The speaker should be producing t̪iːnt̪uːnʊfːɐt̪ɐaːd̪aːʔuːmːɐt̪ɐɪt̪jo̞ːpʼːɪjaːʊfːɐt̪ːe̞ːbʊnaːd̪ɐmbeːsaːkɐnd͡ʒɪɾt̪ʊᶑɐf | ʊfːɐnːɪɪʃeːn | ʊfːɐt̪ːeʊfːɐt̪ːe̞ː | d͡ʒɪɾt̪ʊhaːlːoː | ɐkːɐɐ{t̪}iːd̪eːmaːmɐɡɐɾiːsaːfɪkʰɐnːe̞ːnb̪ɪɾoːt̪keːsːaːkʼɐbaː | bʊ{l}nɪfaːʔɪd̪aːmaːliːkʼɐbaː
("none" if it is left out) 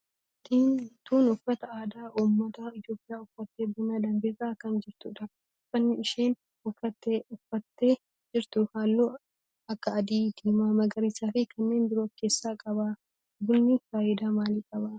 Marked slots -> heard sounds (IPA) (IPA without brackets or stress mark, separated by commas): d̪, l